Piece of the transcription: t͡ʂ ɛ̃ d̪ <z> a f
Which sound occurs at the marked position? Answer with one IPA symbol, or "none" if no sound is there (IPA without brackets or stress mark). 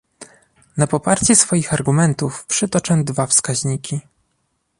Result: v